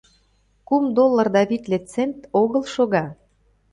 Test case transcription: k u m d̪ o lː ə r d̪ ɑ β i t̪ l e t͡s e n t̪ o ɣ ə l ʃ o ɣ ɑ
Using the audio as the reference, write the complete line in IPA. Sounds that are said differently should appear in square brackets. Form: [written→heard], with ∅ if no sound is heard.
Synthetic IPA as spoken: k u m d̪ o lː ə r d̪ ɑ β i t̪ l e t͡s e n t̪ o ɣ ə l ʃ o ɣ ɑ